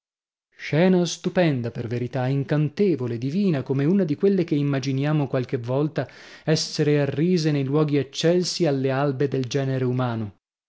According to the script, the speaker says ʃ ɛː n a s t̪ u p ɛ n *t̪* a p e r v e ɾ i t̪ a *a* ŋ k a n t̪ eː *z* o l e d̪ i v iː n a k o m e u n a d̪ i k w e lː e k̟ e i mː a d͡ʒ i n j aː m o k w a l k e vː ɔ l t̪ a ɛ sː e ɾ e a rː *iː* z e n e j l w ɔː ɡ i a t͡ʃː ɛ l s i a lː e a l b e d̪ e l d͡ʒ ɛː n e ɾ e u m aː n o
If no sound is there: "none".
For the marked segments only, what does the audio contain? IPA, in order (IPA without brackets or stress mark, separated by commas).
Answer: d̪, i, v, iː